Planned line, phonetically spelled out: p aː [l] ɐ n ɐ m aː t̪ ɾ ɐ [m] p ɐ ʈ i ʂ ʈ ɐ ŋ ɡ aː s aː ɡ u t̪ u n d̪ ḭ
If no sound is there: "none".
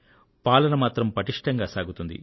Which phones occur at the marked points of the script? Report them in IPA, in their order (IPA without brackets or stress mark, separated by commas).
l, m